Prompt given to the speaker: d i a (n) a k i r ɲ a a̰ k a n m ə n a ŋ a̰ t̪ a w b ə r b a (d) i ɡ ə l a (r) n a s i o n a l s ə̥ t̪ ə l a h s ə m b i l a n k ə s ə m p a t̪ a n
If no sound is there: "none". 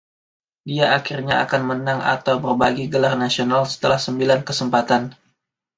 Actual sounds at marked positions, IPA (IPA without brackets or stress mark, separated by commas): none, ɡ, r